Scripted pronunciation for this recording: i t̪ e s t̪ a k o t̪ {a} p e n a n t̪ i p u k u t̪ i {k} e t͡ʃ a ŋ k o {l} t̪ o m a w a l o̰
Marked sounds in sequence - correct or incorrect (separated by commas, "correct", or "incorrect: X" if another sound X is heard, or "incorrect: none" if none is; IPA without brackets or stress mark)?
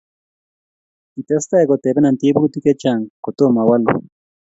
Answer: incorrect: e, correct, incorrect: none